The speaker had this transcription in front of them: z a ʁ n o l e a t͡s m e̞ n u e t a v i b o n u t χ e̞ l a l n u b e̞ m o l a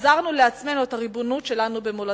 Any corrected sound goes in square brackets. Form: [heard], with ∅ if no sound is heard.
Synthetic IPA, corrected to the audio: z a ʁ n [u] l e a t͡s m e̞ n u e t a [ʁ] i b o n u t [ʃ] e̞ l a [∅] n u b e̞ m o l a